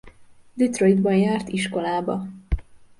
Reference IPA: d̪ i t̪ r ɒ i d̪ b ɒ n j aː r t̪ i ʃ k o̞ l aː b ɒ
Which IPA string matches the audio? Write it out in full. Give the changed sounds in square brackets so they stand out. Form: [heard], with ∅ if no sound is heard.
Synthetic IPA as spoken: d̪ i t̪ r [o] i d̪ b ɒ n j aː r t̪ i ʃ k o̞ l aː b ɒ